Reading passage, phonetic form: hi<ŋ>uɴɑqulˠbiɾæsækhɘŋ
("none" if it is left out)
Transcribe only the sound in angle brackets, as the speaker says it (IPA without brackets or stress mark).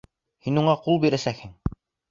n